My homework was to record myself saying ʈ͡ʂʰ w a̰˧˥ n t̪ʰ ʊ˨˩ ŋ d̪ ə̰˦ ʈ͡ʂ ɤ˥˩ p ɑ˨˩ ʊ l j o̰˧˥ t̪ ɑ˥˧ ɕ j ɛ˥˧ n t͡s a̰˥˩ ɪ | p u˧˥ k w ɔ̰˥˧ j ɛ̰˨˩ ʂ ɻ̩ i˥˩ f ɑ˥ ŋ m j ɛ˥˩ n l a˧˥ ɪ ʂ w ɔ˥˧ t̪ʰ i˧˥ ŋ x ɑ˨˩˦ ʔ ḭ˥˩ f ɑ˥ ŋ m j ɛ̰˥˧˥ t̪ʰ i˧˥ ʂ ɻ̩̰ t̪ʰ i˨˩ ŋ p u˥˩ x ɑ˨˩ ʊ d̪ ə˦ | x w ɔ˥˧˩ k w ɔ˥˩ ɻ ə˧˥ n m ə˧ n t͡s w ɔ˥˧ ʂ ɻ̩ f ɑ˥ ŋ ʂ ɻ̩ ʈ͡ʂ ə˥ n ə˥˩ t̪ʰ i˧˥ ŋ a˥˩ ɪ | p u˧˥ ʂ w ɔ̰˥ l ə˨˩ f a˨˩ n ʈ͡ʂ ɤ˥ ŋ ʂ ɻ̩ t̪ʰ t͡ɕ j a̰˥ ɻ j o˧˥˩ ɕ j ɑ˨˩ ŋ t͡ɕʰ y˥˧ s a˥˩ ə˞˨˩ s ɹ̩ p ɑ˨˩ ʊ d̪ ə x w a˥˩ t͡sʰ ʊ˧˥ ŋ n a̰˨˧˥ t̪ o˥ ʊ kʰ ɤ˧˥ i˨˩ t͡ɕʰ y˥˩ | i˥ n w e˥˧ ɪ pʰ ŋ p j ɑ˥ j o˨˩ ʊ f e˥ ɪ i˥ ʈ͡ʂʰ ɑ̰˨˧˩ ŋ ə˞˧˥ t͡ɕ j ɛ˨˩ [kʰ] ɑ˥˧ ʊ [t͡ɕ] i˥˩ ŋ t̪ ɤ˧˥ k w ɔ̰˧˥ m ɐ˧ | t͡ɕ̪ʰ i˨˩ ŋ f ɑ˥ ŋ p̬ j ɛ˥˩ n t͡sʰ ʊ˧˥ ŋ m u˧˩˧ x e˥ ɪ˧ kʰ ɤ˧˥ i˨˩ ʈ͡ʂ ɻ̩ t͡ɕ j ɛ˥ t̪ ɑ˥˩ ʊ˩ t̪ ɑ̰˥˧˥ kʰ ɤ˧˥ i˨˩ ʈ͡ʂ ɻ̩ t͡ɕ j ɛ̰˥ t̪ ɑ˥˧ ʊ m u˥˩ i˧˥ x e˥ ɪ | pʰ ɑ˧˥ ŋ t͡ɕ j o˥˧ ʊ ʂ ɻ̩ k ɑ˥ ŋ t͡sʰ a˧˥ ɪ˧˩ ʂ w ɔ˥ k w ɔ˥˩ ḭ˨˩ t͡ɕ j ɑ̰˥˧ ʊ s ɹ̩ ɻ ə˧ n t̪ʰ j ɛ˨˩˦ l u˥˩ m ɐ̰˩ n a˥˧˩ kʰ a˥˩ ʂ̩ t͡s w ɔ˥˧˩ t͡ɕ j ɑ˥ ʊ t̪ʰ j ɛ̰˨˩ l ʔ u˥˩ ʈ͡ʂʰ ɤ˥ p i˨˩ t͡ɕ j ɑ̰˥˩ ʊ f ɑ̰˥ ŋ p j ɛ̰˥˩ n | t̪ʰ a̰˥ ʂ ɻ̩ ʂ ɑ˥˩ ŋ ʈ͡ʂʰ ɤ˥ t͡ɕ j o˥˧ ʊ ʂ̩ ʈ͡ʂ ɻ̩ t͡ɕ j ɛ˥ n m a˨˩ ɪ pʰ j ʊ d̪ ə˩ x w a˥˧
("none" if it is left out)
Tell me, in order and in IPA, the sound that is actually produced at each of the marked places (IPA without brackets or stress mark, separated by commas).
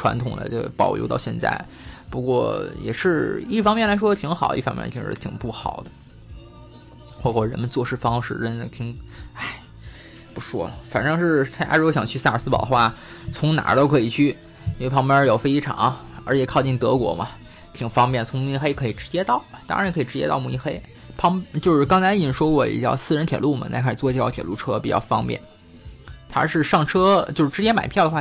kʰ, t͡ɕ